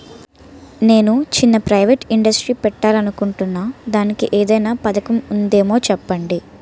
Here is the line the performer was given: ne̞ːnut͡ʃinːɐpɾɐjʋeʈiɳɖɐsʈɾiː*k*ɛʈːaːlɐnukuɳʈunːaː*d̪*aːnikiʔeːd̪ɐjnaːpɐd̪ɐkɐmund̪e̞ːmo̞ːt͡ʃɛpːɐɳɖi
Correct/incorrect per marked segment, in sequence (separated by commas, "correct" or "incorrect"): incorrect, correct